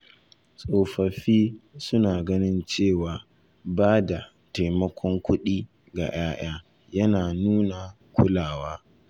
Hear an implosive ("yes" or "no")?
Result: yes